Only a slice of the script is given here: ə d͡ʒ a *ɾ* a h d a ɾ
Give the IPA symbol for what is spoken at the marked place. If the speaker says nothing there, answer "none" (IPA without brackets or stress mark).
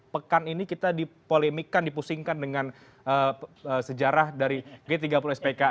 ɾ